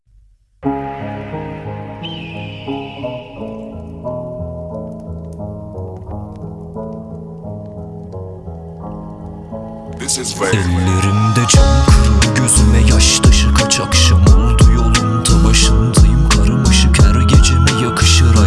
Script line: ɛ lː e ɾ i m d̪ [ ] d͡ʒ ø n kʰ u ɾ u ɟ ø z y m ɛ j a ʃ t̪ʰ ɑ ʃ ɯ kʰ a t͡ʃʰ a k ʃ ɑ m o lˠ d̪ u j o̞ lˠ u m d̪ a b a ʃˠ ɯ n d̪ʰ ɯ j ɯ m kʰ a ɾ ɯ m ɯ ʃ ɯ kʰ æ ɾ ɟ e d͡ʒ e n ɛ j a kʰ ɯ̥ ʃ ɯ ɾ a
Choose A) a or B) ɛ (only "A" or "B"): B